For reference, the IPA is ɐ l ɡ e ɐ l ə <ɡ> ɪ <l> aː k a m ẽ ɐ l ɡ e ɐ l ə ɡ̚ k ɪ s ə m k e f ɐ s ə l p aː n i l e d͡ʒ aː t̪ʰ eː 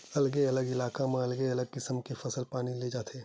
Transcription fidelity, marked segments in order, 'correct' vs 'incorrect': correct, correct

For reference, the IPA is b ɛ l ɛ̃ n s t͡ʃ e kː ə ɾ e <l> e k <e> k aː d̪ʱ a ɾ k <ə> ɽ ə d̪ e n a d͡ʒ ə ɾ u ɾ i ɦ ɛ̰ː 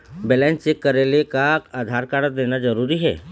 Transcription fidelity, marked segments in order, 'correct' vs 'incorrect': correct, incorrect, incorrect

